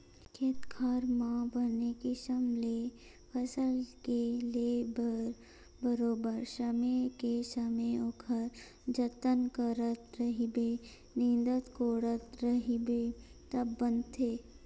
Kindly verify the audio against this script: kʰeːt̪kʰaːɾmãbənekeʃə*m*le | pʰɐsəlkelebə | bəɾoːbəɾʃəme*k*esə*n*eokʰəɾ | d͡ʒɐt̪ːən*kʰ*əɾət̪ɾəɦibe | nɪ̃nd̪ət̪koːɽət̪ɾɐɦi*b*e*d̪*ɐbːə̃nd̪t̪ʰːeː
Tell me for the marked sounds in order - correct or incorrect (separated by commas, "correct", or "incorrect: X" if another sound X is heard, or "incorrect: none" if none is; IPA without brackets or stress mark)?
correct, correct, incorrect: m, incorrect: k, correct, incorrect: t̪